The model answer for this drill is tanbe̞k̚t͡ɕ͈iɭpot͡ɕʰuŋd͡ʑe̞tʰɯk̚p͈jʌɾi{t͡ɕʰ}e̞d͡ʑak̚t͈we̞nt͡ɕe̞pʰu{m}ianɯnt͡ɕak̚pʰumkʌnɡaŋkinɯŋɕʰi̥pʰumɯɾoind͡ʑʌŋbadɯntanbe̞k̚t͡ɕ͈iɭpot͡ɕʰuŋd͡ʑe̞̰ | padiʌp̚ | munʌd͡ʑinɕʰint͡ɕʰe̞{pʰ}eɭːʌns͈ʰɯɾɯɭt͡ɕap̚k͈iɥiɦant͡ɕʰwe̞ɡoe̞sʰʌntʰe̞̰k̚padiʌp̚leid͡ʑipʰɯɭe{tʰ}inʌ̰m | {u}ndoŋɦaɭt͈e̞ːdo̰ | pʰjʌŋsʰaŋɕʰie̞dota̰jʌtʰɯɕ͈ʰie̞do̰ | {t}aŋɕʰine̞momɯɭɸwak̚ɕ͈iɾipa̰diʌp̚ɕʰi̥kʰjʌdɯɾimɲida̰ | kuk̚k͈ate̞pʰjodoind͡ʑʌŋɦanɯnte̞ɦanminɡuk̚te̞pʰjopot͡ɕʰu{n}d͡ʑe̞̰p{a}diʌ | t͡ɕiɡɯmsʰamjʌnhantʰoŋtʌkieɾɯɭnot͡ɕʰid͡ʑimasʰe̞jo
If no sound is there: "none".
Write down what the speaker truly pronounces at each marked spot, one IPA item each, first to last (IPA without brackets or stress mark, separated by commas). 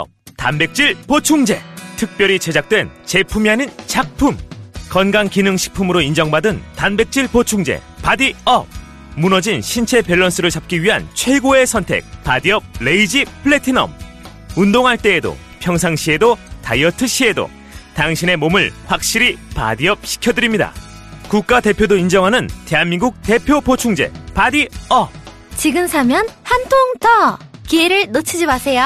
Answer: t͡ɕ, m, p, tʰ, u, t, ŋ, a